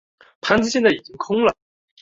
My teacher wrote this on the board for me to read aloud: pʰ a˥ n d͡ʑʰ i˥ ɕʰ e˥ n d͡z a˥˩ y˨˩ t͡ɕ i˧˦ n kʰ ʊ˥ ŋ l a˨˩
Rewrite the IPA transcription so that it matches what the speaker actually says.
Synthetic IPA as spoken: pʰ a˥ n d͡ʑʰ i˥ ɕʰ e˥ n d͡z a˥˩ i˨˩ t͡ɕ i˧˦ ŋ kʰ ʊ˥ ŋ l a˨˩

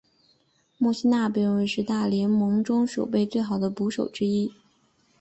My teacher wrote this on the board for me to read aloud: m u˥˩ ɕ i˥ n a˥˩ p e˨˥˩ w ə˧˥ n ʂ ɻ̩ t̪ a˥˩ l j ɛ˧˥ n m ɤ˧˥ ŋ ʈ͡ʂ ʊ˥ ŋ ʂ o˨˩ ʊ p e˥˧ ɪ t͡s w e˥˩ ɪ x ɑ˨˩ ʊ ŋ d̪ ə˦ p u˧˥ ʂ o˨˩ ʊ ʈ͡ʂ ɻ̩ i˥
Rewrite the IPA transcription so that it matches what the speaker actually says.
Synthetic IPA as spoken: m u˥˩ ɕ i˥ n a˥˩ p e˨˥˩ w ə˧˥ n ʂ ɻ̩ t̪ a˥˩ l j ɛ˧˥ n m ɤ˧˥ ŋ ʈ͡ʂ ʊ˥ ŋ ʂ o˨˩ ʊ p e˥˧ ɪ t͡s w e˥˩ ɪ x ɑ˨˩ ʊ d̪ ə˦ p u˧˥ ʂ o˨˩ ʊ ʈ͡ʂ ɻ̩ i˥

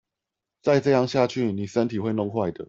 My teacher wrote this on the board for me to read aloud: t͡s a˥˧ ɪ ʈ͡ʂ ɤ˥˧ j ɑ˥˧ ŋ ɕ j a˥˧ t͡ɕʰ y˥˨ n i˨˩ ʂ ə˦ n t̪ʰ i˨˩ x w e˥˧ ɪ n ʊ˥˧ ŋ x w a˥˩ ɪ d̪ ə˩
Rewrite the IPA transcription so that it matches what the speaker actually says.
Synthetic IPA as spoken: t͡s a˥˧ ɪ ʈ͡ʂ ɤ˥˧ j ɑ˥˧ ŋ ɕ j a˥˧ t͡ɕʰ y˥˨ n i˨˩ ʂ ə˦ n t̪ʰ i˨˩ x w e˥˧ ɪ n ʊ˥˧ ŋ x w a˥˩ ɪ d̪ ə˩

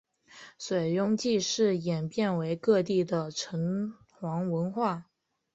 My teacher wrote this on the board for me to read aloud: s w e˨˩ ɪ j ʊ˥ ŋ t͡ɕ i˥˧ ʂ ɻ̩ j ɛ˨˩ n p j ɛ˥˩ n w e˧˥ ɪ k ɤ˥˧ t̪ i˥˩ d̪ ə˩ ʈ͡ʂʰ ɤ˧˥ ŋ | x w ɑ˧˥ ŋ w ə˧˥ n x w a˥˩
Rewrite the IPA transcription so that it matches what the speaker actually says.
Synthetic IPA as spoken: s w e˨˩ ɪ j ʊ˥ ŋ t͡ɕ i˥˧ ʂ ɻ̩ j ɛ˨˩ n p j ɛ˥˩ n w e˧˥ ɪ k ɤ˥˧ t̪ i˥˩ d̪ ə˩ ʈ͡ʂʰ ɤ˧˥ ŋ | x w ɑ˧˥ ŋ w ə˧˥ n x w a˥˩

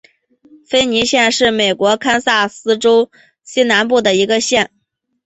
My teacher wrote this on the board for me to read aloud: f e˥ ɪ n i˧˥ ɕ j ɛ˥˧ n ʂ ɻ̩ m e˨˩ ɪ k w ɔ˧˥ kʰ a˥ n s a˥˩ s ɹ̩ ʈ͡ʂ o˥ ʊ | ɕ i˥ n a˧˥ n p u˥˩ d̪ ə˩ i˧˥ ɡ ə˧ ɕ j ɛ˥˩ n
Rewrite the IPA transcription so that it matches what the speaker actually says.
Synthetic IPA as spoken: f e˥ ɪ n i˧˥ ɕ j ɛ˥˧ n ʂ ɻ̩ m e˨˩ ɪ k w ɔ˧˥ kʰ a˥ n s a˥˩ s ɹ̩ ʈ͡ʂ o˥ ʊ | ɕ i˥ n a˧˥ n p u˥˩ d̪ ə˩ i˧˥ ɡ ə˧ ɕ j ɛ˥˩ n

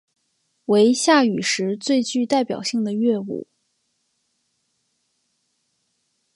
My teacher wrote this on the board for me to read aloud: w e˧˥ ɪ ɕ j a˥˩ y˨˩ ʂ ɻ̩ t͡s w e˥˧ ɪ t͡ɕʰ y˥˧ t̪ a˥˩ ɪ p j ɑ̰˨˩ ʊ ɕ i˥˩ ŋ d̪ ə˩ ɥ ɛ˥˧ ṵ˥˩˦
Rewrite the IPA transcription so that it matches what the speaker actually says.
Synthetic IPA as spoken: w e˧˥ ɪ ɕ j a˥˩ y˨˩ ʂ ɻ̩ t͡s w e˥˧ ɪ t͡ɕ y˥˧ t̪ a˥˩ ɪ p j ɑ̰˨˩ ʊ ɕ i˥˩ ŋ d̪ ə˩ ɥ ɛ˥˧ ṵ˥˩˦

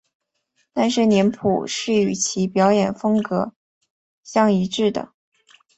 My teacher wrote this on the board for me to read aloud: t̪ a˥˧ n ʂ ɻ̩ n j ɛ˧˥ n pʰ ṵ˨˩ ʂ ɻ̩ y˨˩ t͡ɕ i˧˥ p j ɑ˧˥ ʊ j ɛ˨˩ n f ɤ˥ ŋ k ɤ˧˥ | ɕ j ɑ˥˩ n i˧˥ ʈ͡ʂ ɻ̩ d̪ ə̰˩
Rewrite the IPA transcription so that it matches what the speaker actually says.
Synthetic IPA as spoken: t̪ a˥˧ n ʂ ɻ̩ n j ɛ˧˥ n pʰ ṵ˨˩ ʂ ɻ̩ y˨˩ t͡ɕʰ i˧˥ p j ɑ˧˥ ʊ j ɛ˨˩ n f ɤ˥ ŋ k ɤ˧˥ | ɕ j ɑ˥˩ ŋ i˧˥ ʈ͡ʂ ɻ̩ d̪ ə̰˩

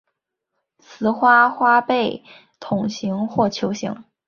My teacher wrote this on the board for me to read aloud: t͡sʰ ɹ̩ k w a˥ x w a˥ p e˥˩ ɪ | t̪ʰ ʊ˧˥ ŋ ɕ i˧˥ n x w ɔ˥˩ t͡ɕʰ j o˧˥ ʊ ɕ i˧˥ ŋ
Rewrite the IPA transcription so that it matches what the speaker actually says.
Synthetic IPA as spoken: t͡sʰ ɹ̩ x w a˥ x w a˥ p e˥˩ ɪ | t̪ʰ ʊ˨˩ ŋ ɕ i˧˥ ŋ x w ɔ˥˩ t͡ɕʰ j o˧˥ ʊ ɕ i˧˥ ŋ

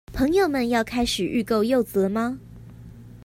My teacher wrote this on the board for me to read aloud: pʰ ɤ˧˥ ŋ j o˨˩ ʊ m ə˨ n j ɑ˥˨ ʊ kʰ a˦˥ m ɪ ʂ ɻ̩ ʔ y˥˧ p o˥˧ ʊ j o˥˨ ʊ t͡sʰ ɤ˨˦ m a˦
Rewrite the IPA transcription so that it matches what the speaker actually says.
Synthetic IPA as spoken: pʰ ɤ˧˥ ŋ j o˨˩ ʊ m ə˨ n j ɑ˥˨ ʊ kʰ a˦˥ ɪ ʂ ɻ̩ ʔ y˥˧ k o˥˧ ʊ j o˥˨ ʊ t͡s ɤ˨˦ m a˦

